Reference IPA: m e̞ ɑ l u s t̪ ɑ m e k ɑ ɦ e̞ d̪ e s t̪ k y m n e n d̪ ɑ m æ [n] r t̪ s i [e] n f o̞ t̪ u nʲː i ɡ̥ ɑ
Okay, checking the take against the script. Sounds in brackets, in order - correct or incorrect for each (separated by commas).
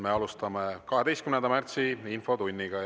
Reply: incorrect, incorrect